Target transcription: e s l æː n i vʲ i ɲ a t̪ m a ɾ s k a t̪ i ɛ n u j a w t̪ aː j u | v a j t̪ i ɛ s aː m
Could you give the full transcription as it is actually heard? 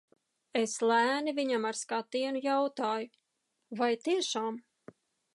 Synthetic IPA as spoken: e s l æː n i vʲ i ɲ a m a ɾ s k a t̪ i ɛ n u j a w t̪ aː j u | v a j t̪ i ɛ ʃ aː m